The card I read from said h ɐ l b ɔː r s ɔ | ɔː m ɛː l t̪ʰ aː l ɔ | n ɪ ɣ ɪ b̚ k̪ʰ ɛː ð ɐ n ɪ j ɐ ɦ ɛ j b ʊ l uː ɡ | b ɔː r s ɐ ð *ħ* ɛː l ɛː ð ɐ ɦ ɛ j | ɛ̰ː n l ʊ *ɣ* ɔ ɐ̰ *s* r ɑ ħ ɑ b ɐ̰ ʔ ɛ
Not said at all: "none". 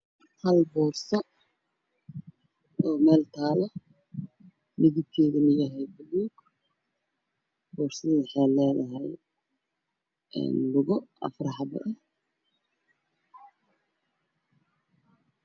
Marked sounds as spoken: ħ, ɣ, f

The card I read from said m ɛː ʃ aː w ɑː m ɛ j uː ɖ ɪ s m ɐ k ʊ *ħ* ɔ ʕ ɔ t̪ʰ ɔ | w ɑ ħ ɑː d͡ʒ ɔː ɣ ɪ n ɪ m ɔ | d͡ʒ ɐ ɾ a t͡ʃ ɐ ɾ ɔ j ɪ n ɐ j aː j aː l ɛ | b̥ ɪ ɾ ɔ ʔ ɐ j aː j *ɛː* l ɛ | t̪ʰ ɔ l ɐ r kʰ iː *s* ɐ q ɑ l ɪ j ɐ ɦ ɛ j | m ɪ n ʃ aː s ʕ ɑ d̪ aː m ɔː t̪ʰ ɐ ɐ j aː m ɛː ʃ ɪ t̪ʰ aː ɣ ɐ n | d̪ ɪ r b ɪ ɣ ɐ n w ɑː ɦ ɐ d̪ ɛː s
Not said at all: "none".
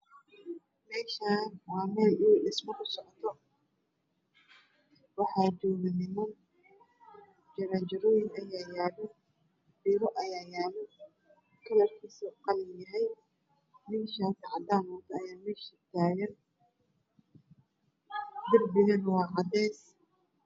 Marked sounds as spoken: s, aː, s

